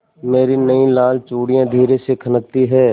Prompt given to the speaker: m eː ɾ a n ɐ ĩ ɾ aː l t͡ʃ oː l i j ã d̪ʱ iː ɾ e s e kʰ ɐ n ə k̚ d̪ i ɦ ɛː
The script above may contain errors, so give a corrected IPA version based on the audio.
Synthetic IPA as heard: m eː ɾ i n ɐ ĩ l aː l t͡ʃ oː ɽ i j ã d̪ʱ iː ɾ e s e kʰ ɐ n ə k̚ t̪ i ɦ ɛː